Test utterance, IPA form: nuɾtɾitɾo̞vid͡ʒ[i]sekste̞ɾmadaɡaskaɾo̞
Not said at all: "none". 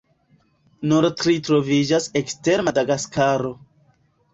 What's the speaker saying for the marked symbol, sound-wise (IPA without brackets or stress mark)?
a